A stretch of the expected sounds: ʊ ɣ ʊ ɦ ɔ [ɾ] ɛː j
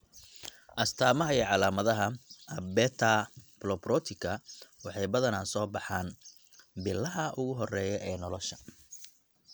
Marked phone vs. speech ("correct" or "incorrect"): incorrect